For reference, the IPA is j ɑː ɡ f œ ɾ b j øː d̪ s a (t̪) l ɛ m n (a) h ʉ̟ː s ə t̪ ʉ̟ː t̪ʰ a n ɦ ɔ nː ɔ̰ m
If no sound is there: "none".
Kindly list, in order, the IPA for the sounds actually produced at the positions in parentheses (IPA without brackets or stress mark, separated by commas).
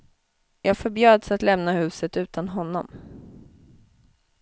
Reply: t̪, a